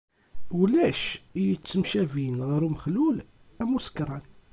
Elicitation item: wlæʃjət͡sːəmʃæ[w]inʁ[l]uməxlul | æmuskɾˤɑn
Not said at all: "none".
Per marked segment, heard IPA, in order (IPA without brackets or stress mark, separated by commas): v, ɾ